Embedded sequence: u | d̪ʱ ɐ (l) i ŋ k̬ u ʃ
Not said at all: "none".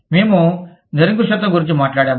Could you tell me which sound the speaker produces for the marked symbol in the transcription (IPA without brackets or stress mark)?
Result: ɾ